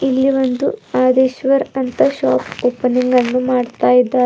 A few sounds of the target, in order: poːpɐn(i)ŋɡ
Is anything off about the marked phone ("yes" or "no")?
no